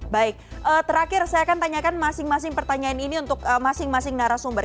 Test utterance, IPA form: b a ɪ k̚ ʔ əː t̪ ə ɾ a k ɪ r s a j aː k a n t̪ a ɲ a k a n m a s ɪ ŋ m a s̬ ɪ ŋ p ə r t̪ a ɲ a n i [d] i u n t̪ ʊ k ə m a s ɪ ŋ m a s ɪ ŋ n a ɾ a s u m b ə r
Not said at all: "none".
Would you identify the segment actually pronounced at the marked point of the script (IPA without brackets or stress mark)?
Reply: n